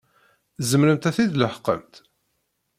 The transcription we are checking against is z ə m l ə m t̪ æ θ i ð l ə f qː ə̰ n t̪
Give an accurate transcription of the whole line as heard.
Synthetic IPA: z ə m ɾ ə m t̪ æ θ i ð l ə ħ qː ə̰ m t̪